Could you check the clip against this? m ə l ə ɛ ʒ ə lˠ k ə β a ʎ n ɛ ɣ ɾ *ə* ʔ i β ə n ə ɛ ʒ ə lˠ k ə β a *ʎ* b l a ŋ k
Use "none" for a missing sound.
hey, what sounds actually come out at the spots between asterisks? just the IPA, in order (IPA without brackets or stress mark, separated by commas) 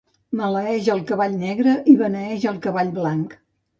ə, ʎ